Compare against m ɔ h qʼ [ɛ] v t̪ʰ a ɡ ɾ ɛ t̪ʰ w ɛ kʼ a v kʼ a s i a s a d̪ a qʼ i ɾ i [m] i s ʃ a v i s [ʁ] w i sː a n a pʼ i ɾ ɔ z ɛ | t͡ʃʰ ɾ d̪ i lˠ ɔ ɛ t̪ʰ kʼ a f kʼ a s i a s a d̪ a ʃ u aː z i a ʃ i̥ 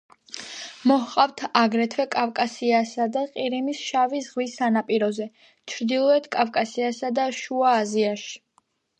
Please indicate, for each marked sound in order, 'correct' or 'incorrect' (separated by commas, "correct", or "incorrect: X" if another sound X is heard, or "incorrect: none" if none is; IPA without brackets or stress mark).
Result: incorrect: a, correct, correct